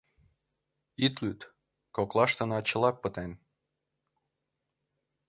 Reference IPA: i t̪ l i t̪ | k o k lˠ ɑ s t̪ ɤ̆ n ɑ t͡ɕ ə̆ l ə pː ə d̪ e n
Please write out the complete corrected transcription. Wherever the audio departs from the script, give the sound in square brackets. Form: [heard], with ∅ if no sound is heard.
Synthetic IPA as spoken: i t̪ l [y] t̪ | k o k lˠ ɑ [ʃ] t̪ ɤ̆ n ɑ t͡ɕ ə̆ l [ɑ] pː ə [t̪] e n